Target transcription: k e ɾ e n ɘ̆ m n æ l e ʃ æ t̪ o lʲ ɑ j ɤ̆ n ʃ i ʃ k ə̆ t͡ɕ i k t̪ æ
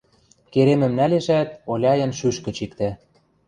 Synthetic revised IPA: k e ɾ e m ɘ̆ m n æ l e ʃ æ t̪ o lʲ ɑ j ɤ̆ n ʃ y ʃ k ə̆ t͡ɕ i k t̪ æ